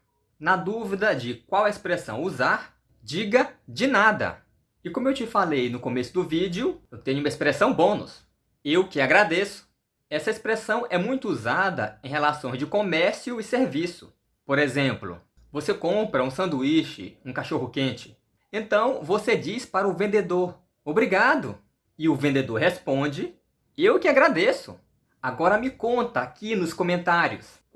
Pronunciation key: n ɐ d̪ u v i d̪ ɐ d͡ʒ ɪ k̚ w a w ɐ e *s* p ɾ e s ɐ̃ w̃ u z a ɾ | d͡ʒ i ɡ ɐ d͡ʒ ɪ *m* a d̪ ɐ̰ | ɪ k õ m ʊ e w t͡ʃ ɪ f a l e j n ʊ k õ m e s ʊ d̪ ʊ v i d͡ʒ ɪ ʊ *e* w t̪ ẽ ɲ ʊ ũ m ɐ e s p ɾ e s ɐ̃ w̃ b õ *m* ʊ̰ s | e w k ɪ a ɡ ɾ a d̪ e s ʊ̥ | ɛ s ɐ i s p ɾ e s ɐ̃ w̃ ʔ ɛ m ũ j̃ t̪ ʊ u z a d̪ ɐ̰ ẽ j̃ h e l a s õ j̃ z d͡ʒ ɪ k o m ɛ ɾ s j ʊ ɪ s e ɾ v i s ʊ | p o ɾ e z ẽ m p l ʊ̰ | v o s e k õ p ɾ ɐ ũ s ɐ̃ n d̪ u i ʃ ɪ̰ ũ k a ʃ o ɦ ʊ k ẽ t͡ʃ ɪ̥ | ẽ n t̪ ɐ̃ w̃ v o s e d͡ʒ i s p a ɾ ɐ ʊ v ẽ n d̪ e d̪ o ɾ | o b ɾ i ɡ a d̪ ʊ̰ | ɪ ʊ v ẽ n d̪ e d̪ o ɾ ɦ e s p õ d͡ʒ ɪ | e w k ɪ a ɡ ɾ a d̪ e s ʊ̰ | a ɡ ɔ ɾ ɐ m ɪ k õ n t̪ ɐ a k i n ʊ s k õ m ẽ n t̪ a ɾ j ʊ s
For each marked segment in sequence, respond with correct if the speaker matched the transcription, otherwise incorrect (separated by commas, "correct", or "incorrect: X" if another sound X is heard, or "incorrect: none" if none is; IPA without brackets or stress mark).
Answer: correct, incorrect: n, correct, incorrect: n